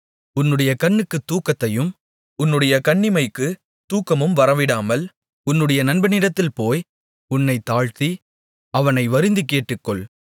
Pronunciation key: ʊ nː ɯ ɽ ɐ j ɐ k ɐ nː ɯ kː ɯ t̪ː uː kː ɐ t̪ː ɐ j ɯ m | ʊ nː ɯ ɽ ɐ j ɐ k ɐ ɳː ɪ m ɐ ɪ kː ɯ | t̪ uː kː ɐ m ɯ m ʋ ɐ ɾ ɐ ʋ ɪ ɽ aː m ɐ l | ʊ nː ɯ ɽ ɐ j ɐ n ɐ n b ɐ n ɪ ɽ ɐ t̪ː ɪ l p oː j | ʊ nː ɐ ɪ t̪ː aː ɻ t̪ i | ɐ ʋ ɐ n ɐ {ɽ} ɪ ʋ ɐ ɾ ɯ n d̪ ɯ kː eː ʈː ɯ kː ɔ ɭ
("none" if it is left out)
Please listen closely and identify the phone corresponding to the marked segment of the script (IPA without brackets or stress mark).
none